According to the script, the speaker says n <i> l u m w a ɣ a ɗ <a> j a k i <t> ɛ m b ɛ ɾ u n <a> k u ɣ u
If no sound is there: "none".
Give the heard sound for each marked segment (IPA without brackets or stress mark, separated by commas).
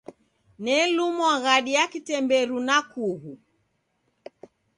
ɛ, i, t, a